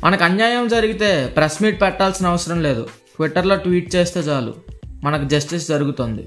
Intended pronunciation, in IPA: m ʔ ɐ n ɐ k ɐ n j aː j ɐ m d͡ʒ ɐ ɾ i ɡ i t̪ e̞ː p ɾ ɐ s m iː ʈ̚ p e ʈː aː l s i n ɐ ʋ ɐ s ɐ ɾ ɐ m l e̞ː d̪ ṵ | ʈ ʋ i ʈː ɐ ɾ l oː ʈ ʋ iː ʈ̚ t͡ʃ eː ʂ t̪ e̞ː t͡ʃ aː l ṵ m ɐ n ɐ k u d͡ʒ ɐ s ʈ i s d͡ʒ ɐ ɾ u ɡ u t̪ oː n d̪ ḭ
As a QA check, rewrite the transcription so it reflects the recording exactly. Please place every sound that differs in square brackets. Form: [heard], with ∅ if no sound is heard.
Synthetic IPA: m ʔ ɐ n ɐ k ɐ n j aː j ɐ m d͡ʒ ɐ ɾ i ɡ i t̪ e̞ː p ɾ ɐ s m iː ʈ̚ p [ɛ] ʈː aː l s i n ɐ ʋ ɐ s ɐ ɾ ɐ m l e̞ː d̪ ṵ | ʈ ʋ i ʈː ɐ ɾ l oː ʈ ʋ iː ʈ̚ t͡ʃ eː [s] t̪ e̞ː t͡ʃ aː l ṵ m ɐ n ɐ k u d͡ʒ ɐ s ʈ i s d͡ʒ ɐ ɾ u ɡ u t̪ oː n d̪ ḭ